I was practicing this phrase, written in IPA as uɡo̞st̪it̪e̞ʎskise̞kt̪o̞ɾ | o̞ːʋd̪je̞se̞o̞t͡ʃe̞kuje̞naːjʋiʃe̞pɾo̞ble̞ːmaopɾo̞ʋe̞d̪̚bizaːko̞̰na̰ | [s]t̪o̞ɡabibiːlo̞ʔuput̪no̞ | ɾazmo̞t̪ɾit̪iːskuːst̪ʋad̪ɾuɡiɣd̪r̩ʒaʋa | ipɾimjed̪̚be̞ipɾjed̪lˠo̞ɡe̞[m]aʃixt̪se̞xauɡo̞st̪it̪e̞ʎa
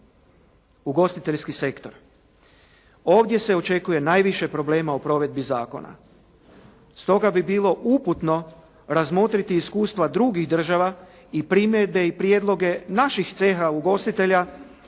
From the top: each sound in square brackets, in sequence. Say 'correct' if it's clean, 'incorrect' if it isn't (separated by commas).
correct, incorrect